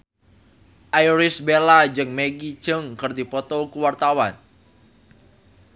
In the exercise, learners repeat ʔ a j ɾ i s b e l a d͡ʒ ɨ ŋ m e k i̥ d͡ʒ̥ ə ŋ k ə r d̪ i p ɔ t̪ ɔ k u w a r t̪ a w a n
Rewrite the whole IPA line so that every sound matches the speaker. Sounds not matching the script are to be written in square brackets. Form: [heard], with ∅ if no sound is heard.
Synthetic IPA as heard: ʔ a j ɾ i s b e l a d͡ʒ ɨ ŋ m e [ɡ] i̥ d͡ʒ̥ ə ŋ k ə r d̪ i p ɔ t̪ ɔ k u w a r t̪ a w a n

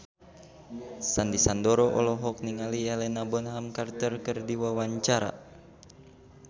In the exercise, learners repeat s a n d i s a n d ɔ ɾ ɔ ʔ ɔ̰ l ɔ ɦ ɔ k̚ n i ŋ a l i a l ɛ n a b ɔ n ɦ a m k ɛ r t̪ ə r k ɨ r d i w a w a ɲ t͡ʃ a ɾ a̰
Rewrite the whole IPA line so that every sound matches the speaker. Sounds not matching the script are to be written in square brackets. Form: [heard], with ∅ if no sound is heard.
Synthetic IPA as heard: s a n d i s a n d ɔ ɾ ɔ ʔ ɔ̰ l ɔ ɦ ɔ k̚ n i ŋ a l i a l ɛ n a b ɔ n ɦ a m k [a] r t̪ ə r k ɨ r d i w a w a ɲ t͡ʃ a ɾ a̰

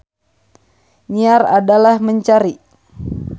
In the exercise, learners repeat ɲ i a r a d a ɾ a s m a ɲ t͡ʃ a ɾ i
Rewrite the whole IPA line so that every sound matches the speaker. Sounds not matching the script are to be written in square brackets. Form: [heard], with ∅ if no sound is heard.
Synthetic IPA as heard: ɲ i a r a d a [l] a [h] m [ə] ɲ t͡ʃ a ɾ i

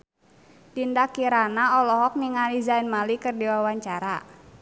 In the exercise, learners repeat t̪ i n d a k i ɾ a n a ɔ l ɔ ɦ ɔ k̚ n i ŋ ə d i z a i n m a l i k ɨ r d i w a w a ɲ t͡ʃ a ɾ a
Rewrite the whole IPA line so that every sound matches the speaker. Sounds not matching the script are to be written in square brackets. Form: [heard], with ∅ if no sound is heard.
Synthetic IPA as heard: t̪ i n d a k i ɾ a n a ɔ l ɔ ɦ ɔ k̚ n i ŋ [a] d i z a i n m a l i k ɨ r d i w a w a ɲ t͡ʃ a ɾ a

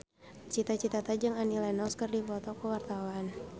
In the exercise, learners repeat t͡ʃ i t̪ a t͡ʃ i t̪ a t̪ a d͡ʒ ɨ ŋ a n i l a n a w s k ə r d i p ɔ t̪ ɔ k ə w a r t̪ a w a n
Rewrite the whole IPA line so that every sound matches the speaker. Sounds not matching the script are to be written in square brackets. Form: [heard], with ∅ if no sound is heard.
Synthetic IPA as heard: t͡ʃ i t̪ a t͡ʃ i t̪ a t̪ a d͡ʒ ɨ ŋ a n i l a n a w s k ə r d i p ɔ t̪ ɔ k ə w a r t̪ a w a n

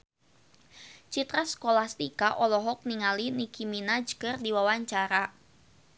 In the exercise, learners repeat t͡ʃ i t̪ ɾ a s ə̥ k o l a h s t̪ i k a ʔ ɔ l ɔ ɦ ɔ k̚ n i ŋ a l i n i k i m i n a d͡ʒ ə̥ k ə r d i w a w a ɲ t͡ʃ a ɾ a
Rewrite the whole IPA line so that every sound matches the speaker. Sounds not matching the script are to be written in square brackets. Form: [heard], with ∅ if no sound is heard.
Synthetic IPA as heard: t͡ʃ i t̪ ɾ a s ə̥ k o l a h s t̪ i k a ʔ ɔ l ɔ ɦ ɔ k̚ n i ŋ a l i n i k i m i n a d͡ʒ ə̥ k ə r d i w a w a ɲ t͡ʃ a ɾ a

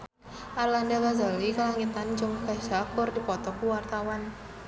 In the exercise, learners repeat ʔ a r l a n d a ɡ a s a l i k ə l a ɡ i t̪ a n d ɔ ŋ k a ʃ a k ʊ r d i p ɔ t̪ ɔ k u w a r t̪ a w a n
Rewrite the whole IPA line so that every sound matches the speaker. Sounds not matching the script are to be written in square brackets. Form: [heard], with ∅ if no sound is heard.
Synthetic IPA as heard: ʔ a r l a n d a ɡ a [z] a l i k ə l a [ŋ] i t̪ a n [d͡ʒ] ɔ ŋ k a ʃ a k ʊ r d i p ɔ t̪ ɔ k u w a r t̪ a w a n

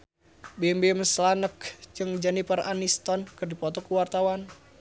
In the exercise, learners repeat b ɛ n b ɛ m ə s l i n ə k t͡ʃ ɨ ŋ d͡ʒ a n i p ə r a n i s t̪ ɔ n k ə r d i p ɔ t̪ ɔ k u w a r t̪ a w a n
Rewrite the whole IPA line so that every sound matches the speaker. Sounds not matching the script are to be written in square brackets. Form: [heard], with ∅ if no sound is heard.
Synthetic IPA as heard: b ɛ [m] b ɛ m ə s l [a] n ə k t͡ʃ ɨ ŋ d͡ʒ a n i p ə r a n i s t̪ ɔ n k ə r d i p ɔ t̪ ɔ k u w a r t̪ a w a n

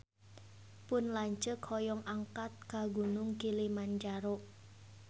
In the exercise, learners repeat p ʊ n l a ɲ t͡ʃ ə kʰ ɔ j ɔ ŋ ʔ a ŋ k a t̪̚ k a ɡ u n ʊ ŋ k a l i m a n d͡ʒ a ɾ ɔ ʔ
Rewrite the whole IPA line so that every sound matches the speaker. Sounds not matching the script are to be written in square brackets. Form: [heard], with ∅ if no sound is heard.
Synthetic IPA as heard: p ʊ n l a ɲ t͡ʃ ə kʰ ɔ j ɔ ŋ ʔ a ŋ k a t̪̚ k a ɡ u n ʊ ŋ k [i] l i m a n d͡ʒ a ɾ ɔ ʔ

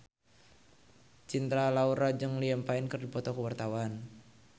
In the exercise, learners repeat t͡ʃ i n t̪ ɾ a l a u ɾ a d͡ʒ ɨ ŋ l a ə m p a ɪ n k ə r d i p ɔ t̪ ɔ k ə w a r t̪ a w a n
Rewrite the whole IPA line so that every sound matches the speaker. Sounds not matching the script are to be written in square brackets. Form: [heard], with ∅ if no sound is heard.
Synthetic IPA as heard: t͡ʃ i n t̪ ɾ a l a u ɾ a d͡ʒ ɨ ŋ l [i] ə m p a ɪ n k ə r d i p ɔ t̪ ɔ k ə w a r t̪ a w a n

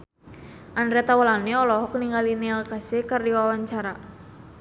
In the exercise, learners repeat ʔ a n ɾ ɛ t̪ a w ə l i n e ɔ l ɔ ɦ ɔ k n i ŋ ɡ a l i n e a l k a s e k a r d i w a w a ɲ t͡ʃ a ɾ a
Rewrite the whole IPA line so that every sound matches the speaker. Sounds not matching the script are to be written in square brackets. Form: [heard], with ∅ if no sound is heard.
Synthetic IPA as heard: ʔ a n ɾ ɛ t̪ a w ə l [a] n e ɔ l ɔ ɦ ɔ k n i ŋ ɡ a l i n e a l k a s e k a r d i w a w a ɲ t͡ʃ a ɾ a

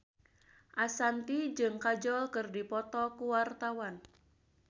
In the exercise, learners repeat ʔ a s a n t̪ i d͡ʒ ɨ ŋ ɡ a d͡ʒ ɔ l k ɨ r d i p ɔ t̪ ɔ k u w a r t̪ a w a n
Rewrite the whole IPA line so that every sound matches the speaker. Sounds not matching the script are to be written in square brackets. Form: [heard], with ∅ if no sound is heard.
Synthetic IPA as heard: ʔ a s a n t̪ i d͡ʒ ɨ ŋ [k] a d͡ʒ ɔ l k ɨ r d i p ɔ t̪ ɔ k u w a r t̪ a w a n

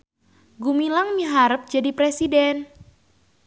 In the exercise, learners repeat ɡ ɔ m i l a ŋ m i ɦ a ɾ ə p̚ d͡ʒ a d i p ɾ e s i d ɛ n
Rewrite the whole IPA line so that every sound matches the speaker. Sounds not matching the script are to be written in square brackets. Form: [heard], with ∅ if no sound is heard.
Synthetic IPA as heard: ɡ [u] m i l a ŋ m i ɦ a ɾ ə p̚ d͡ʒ a d i p ɾ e s i d ɛ n

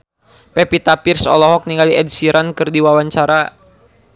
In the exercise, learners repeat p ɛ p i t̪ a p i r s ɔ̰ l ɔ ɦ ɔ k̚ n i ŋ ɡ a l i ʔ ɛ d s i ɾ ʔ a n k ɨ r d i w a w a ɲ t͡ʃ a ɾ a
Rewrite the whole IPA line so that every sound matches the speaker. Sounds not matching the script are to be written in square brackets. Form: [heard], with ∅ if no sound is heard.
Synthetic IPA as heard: p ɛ p i t̪ a p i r s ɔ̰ l ɔ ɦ ɔ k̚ n i ŋ ɡ a l i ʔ ɛ d s i ɾ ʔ a n k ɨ r d i w a w a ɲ t͡ʃ a ɾ a

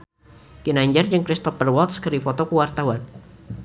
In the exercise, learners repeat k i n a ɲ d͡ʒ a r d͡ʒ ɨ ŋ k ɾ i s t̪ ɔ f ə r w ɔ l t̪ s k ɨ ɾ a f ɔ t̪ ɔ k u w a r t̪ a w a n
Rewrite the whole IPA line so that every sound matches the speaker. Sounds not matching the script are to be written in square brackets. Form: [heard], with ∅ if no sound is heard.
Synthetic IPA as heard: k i n a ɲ d͡ʒ a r d͡ʒ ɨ ŋ k ɾ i s t̪ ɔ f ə r w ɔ l t̪ s k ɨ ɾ [i] f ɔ t̪ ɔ k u w a r t̪ a w a n

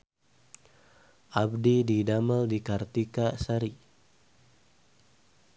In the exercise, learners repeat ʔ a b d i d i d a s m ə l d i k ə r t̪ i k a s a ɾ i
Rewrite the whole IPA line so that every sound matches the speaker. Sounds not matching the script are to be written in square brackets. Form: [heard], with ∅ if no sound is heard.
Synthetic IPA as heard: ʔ a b d i d i d a [∅] m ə l d i k [a] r t̪ i k a s a ɾ i

